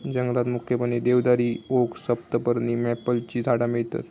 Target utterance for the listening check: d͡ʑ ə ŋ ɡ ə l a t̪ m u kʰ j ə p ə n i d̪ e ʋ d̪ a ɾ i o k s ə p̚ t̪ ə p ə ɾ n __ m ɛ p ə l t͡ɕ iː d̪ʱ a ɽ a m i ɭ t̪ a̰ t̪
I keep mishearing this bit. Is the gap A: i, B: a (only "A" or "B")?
A